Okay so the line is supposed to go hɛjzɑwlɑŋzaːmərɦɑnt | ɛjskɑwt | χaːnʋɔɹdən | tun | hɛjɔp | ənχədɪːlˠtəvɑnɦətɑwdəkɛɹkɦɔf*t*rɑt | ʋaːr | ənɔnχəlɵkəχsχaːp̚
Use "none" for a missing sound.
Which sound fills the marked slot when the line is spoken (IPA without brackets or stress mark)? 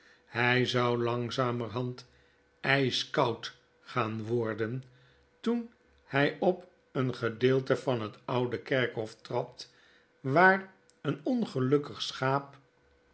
t